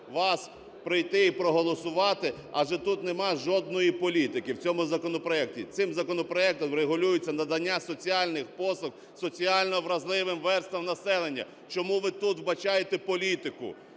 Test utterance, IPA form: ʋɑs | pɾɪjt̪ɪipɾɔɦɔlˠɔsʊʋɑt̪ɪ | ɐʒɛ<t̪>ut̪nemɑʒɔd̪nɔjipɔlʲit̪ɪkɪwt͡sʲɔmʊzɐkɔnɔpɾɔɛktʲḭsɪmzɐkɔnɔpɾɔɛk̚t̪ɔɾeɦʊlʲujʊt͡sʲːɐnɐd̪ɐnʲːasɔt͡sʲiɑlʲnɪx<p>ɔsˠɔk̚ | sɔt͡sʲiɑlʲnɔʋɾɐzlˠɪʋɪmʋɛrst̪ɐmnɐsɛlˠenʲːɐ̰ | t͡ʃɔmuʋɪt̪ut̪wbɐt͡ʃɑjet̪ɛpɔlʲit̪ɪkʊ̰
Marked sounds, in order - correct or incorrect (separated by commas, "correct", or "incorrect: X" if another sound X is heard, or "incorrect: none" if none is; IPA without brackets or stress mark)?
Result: correct, correct